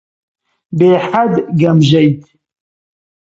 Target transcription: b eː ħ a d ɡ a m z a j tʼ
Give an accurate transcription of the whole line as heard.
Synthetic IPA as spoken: b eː ħ a d ɡ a m ʒ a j tʼ